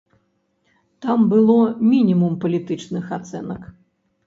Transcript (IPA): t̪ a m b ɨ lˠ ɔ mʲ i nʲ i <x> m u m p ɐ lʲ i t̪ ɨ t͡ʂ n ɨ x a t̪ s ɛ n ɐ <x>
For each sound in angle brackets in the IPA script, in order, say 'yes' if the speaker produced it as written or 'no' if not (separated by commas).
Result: no, no